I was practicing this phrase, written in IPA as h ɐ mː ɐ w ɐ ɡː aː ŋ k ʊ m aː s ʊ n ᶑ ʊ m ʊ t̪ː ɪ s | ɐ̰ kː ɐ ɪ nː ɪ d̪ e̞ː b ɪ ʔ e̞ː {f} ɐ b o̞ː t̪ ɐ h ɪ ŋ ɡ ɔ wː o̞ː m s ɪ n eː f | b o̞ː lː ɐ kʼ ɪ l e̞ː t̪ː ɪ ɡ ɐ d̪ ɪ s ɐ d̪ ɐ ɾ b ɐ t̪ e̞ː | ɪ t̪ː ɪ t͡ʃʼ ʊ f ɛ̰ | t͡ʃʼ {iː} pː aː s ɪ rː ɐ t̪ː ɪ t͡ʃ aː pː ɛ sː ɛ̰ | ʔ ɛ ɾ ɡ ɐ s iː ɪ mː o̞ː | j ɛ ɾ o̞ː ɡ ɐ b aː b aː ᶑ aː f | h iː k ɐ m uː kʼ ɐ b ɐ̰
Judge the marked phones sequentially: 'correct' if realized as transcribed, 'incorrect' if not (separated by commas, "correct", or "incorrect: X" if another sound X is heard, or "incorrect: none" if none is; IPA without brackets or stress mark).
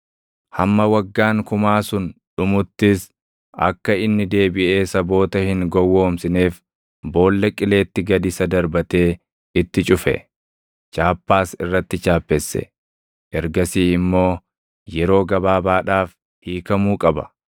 incorrect: s, incorrect: aː